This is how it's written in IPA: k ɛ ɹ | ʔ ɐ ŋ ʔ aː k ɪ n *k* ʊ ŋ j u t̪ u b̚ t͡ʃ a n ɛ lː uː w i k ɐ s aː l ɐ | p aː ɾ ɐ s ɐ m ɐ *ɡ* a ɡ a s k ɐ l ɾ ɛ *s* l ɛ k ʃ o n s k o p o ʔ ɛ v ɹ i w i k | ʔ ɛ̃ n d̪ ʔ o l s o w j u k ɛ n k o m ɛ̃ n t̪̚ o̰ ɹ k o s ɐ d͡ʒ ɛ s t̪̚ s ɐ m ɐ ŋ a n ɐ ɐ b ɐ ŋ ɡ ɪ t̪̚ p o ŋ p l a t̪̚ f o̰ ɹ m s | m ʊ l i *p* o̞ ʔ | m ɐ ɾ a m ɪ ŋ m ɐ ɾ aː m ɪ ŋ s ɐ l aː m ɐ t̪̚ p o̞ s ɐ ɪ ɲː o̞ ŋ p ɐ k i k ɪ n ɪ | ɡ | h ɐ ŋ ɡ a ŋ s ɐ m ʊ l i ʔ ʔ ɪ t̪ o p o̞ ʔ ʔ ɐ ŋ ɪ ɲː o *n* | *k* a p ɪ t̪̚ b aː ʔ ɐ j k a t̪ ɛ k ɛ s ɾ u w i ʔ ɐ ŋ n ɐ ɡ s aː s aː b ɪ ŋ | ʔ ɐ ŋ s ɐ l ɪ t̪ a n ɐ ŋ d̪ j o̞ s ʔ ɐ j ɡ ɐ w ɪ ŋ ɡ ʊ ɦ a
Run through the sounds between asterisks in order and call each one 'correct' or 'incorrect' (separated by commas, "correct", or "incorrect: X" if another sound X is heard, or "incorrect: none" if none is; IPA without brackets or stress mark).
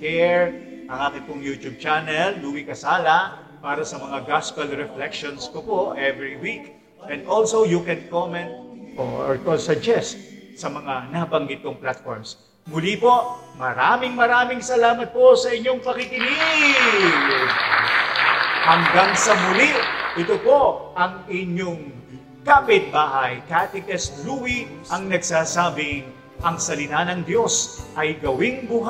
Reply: incorrect: p, incorrect: ŋ, incorrect: f, correct, incorrect: ŋ, correct